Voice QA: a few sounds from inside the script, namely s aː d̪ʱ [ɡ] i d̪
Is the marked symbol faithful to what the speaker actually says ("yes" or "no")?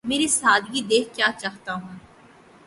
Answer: yes